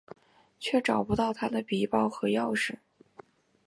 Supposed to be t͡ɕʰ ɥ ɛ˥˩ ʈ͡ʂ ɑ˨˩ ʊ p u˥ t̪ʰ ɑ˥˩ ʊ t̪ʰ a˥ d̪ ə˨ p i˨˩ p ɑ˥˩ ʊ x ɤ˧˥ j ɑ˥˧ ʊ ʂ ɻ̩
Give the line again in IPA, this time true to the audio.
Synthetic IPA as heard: t͡ɕʰ ɥ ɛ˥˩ ʈ͡ʂ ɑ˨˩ ʊ p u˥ t̪ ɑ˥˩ ʊ t̪ʰ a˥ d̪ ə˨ p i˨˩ p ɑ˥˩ ʊ x ɤ˧˥ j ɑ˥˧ ʊ ʂ ɻ̩